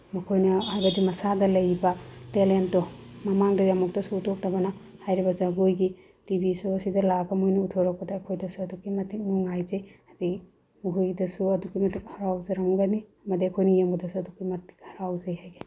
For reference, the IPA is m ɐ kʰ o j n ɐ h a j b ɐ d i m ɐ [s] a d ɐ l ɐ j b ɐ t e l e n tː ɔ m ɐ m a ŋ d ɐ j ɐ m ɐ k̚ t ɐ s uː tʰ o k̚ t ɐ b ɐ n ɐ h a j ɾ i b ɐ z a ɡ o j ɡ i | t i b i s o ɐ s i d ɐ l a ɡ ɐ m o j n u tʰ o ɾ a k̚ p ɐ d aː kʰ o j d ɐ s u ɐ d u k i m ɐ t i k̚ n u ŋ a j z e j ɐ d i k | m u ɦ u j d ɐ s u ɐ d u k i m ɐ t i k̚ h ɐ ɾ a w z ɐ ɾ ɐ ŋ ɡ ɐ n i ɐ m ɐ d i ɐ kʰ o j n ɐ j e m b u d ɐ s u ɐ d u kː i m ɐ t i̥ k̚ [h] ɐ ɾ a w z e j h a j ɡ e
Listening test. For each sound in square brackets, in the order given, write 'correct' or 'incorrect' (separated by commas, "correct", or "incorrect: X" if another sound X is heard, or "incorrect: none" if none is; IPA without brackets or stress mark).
correct, correct